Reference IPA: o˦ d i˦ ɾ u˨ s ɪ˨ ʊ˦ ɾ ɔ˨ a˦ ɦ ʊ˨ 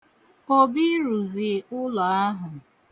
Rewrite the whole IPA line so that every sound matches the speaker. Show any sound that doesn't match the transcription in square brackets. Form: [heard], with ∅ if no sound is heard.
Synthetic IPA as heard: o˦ [b] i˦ ɾ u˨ [z] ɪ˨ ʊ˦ [l] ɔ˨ a˦ ɦ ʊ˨